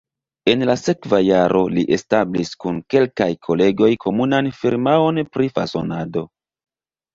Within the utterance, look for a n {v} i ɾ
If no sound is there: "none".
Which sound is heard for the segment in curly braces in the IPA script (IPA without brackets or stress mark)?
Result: f